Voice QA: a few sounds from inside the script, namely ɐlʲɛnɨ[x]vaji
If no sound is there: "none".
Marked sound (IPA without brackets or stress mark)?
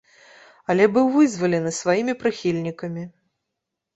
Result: s